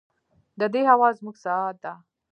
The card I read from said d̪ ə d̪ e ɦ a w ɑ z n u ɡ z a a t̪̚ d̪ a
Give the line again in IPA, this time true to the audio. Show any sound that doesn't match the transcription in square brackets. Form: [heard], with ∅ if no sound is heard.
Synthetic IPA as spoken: d̪ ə d̪ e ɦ a w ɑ z [m] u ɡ [s] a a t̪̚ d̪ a

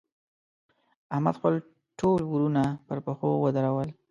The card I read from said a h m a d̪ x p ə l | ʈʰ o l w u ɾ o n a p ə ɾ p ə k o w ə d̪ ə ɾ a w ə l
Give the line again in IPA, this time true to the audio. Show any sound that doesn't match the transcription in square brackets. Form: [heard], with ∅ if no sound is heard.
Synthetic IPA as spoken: a h m a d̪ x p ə l | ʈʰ o l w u ɾ [u] n a p ə ɾ p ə [x] o w ə d̪ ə ɾ a w ə l

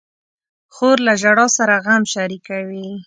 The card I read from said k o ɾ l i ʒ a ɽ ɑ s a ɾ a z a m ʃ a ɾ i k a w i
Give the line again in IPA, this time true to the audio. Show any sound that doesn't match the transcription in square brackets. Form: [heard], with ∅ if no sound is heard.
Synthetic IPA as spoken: [x] o ɾ l [a] ʒ a ɽ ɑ s a ɾ a [ɣ] a m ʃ a ɾ i k a w i

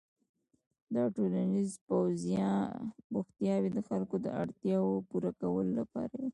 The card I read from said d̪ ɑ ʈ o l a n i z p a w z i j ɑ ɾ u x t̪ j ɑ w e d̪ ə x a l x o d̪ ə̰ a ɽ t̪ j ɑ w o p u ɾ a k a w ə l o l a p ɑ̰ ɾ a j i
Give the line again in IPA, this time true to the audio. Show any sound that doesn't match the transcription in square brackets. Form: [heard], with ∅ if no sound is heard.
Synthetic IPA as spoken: d̪ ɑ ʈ o l a n i z p a w z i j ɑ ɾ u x t̪ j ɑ w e d̪ ə x a l [k] o d̪ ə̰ a ɽ t̪ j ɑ w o p u ɾ a k a w ə l o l a p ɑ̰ ɾ a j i

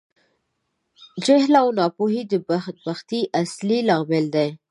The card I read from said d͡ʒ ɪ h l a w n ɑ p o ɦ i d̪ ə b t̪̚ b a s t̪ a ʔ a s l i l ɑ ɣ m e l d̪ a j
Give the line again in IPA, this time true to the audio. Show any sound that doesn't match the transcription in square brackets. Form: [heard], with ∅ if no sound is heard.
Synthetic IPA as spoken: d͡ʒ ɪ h l a w n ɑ p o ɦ i d̪ ə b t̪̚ b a [x] t̪ [i] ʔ a s l i l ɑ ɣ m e l d̪ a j

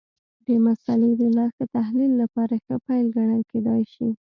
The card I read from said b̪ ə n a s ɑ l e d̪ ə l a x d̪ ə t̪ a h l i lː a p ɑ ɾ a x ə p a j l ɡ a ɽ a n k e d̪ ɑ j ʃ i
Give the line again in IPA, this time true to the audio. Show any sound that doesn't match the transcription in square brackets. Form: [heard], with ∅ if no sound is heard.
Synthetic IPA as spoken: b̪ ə [m] a s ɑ l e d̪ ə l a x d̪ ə t̪ a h l i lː a p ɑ ɾ a x ə p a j l ɡ a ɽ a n k e d̪ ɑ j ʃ i

